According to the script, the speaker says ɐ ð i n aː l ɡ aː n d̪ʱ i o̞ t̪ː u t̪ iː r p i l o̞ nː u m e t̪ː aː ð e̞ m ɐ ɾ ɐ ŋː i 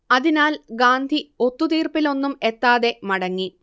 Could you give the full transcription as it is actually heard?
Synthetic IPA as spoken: ɐ ð i n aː l ɡ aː n d̪ʱ i o̞ t̪ː u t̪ iː r p i l o̞ nː u m e t̪ː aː ð e̞ m ɐ ɽ ɐ ŋː i